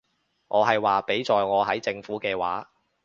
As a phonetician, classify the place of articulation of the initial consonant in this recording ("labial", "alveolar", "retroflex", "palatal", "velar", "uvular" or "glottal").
velar